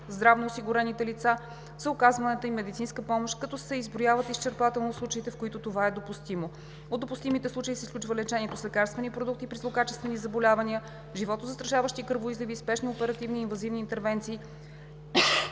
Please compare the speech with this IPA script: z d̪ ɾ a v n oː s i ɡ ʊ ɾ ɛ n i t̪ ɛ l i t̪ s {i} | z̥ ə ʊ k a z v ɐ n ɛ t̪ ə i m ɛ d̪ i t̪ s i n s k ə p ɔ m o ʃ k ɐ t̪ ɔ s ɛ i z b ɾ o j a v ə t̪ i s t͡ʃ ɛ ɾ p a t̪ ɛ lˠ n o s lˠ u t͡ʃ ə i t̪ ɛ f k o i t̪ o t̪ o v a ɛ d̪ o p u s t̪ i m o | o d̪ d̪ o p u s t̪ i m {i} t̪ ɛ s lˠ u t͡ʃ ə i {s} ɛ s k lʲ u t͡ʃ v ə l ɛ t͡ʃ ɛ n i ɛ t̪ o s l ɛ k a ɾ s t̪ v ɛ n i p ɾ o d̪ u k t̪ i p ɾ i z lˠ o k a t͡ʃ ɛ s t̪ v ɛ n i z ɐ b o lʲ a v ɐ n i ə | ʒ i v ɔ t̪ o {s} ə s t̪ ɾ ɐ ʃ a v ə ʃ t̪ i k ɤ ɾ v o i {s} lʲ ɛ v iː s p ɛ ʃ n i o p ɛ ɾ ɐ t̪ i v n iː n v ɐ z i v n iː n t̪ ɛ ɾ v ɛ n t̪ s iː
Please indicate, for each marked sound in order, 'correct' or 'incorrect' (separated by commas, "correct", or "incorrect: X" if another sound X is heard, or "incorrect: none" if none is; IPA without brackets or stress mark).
incorrect: a, correct, correct, incorrect: z, incorrect: z